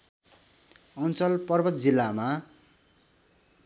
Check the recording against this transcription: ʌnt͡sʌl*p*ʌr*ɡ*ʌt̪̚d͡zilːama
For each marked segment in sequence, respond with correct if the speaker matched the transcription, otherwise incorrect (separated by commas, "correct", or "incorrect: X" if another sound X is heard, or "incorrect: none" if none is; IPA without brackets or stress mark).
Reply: correct, incorrect: b